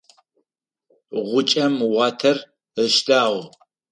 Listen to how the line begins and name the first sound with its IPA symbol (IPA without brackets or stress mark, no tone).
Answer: ʁʷ